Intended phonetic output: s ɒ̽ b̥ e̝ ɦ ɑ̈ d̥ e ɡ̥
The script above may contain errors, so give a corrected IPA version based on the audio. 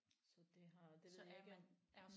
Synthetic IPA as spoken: s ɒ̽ d̥ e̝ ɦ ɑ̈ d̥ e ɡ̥